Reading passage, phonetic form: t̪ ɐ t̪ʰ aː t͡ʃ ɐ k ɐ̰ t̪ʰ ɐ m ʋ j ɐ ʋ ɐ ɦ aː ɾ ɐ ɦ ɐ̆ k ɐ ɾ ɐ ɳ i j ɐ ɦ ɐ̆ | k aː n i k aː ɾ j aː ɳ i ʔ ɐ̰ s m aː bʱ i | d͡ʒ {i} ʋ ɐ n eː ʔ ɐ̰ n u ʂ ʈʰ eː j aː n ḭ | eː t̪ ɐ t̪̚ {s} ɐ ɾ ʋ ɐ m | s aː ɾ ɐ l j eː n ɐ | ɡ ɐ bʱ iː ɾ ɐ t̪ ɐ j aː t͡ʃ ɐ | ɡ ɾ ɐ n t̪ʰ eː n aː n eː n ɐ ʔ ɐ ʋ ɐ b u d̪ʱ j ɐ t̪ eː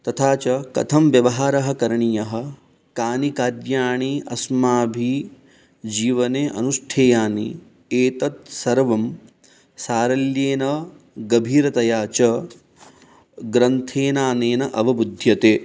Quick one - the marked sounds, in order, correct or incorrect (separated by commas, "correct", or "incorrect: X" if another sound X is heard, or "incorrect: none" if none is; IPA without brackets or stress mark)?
incorrect: iː, correct